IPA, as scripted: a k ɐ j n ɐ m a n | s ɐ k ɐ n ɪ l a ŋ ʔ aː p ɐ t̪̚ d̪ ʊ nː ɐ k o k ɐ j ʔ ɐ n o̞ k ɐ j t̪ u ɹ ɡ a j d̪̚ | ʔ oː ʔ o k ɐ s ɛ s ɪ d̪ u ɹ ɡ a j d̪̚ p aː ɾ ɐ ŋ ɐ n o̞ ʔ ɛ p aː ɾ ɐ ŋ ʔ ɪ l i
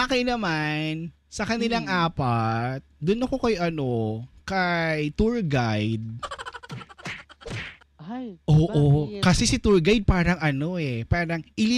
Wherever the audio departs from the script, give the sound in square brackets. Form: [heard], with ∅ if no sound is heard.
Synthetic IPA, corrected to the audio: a k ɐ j n ɐ m a n | s ɐ k ɐ n ɪ l a ŋ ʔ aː p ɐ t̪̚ d̪ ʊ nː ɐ k o k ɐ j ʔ ɐ n o̞ k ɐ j t̪ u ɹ ɡ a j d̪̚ | ʔ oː ʔ o k ɐ s ɛ s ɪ [t̪] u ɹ ɡ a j d̪̚ p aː ɾ ɐ ŋ ɐ n o̞ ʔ ɛ p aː ɾ ɐ ŋ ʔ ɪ l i